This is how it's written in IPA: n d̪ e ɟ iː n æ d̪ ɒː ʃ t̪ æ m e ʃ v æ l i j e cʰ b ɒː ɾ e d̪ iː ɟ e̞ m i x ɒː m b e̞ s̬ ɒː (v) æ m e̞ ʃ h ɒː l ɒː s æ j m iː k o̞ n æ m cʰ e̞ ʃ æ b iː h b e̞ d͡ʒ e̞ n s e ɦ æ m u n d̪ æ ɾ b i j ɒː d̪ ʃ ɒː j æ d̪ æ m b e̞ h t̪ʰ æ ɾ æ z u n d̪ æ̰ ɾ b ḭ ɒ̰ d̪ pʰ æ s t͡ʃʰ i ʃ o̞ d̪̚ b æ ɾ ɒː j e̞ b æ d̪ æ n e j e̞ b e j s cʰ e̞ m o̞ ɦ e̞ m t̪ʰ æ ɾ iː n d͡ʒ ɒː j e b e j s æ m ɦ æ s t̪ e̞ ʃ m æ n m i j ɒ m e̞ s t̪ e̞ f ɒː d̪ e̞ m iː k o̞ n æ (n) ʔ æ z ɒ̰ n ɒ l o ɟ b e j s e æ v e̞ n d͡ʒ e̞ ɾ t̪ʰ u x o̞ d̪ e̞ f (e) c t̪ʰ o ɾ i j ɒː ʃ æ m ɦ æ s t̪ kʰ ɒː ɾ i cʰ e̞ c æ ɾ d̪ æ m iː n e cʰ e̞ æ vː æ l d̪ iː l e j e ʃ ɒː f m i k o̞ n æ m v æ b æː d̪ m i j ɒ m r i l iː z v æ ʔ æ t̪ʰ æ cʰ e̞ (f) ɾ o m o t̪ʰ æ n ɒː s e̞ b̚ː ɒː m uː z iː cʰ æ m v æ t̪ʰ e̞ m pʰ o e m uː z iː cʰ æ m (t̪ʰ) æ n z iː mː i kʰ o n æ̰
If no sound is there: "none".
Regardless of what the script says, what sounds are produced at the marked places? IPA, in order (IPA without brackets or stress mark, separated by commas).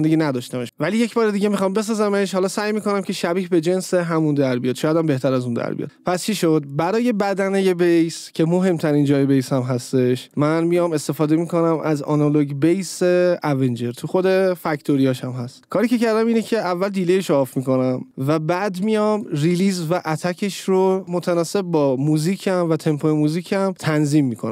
z, m, æ, ʃ, t̪ʰ